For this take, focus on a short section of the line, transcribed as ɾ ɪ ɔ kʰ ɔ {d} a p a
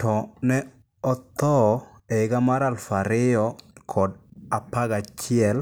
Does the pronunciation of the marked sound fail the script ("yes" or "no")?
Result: no